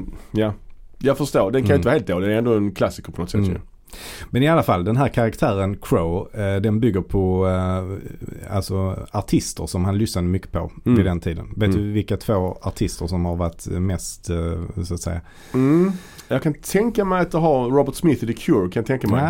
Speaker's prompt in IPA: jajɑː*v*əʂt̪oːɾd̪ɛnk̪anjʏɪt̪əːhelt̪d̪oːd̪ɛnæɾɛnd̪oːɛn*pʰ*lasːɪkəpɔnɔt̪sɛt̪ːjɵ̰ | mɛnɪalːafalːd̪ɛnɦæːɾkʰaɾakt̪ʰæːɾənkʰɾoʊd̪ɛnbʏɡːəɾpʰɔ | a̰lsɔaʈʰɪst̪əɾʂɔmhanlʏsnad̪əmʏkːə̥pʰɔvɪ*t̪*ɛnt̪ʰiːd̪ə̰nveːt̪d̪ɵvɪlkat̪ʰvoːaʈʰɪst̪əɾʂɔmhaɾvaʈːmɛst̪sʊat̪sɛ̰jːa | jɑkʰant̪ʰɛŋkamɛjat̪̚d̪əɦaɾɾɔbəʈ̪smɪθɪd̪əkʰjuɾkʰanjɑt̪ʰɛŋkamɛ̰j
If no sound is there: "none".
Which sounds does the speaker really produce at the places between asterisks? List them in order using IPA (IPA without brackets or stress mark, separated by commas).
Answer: f, kʰ, d̪